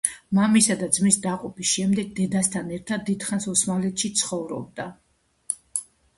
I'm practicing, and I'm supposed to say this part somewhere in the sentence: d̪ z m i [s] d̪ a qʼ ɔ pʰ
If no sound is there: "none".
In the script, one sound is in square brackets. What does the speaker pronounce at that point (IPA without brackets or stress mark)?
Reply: s